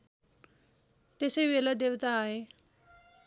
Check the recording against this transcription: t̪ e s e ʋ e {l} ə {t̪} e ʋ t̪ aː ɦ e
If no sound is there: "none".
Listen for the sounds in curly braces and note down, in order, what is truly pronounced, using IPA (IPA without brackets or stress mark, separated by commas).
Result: l, d̪